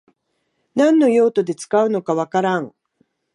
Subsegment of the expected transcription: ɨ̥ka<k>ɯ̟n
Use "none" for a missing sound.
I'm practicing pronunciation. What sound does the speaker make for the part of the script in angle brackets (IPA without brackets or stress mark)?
none